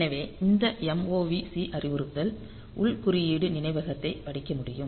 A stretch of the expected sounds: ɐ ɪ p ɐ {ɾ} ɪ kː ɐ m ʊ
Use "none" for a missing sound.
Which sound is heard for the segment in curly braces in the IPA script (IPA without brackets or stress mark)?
ɽ